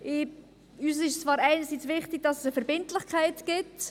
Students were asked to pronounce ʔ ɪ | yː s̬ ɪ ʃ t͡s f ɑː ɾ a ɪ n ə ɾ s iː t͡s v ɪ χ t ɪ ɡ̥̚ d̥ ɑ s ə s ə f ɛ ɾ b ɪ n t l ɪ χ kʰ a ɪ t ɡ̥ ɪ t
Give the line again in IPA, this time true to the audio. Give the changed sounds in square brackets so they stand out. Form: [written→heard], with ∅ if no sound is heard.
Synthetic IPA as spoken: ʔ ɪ | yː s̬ ɪ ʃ t͡s [f→v] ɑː ɾ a ɪ n ə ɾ s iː t͡s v ɪ χ t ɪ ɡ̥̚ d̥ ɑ s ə s ə f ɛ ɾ b ɪ n t l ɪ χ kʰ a ɪ t ɡ̥ ɪ t